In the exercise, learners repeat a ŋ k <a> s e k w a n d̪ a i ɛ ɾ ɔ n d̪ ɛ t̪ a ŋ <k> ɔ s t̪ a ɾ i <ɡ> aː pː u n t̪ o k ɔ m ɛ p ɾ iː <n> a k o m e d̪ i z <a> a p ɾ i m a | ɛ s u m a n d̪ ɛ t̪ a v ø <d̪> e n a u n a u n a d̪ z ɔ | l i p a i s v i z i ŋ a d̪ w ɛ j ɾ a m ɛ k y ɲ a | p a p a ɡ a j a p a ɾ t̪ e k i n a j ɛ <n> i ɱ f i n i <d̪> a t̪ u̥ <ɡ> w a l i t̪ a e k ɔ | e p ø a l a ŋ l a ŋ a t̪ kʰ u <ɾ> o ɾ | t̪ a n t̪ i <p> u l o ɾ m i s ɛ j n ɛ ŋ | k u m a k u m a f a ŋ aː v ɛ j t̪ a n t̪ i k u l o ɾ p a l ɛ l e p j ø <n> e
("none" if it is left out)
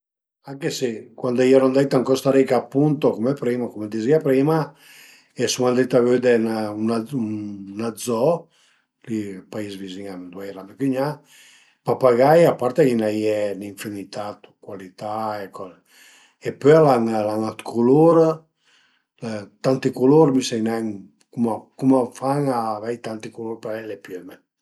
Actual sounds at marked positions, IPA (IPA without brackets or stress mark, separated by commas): e, k, k, m, i, d̪, n, t̪, k, l, k, m